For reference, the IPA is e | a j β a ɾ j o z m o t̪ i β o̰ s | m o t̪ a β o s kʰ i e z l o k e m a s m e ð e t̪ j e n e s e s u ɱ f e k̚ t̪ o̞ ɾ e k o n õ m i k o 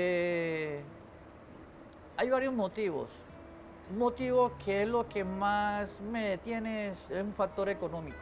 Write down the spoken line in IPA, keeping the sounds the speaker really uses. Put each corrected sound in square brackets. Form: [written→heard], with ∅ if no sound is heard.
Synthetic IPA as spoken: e | a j β a ɾ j o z m o t̪ i β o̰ s | m o t̪ [a→i] β o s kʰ [i→e] e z l o k e m a s m e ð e t̪ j e n e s e s u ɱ f [e→a] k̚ t̪ o̞ ɾ e k o n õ m i k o